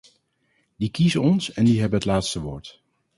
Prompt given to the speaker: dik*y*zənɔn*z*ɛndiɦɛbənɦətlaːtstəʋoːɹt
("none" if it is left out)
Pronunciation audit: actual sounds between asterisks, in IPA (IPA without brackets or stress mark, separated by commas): i, s